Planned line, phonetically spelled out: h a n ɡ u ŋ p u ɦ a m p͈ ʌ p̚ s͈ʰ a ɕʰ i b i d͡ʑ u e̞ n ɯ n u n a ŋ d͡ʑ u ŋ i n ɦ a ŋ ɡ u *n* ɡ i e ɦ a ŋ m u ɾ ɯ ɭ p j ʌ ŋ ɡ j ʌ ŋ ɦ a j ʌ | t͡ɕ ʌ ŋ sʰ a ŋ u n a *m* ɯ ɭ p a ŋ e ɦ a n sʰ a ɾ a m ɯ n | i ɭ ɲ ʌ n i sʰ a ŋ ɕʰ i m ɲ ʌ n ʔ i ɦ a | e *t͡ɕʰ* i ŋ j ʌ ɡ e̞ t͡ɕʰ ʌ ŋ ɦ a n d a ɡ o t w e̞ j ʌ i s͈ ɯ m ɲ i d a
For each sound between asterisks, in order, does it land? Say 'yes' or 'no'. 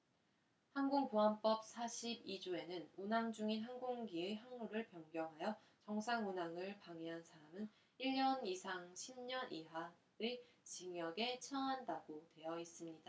no, no, no

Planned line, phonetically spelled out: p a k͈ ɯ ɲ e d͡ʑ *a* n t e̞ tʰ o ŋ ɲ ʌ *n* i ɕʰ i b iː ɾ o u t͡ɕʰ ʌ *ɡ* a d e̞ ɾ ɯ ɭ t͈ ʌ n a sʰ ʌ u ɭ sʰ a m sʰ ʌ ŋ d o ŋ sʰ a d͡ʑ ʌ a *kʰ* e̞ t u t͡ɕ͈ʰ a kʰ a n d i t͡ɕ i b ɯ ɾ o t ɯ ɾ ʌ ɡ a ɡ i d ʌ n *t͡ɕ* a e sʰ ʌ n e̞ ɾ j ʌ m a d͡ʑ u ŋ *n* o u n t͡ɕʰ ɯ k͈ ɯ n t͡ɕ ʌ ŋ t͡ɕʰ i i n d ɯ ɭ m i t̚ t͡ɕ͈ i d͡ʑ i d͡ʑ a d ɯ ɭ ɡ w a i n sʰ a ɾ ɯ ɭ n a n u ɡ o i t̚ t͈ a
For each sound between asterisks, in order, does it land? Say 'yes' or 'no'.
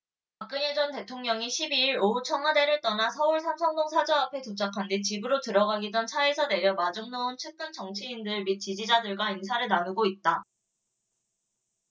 no, no, no, no, no, yes

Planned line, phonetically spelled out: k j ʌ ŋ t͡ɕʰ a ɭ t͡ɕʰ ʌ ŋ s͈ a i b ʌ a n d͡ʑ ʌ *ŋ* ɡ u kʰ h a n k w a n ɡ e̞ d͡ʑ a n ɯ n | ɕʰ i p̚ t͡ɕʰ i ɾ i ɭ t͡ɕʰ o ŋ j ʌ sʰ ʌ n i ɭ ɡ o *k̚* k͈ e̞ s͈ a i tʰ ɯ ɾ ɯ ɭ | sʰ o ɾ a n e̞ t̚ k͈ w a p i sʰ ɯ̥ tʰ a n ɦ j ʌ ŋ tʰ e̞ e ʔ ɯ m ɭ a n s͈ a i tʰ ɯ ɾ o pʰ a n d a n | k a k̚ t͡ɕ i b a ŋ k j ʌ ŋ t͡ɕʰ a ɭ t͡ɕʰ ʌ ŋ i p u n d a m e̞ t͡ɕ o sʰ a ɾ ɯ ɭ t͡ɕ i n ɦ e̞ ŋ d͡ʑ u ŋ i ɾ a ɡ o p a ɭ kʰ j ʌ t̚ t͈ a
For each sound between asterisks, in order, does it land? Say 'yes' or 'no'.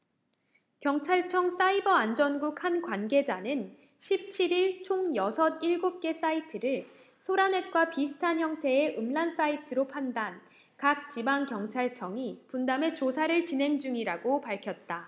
no, no

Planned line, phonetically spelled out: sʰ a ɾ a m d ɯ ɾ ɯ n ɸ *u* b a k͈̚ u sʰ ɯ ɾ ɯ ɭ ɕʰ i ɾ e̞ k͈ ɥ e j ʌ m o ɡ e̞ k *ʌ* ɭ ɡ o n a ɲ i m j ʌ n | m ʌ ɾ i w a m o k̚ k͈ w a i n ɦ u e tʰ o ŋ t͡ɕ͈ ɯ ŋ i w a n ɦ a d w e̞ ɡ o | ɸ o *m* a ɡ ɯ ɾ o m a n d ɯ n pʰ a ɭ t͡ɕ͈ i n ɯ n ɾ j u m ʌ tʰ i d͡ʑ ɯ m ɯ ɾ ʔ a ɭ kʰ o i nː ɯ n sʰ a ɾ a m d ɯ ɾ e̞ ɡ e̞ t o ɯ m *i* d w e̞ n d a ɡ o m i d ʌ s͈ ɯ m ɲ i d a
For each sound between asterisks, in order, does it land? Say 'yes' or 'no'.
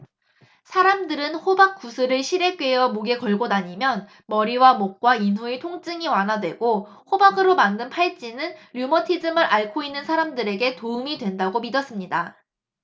no, yes, no, yes

